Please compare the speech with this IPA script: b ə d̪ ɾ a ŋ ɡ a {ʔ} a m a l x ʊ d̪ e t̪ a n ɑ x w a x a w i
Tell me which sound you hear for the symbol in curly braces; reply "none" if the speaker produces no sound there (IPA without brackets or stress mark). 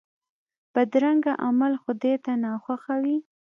ʔ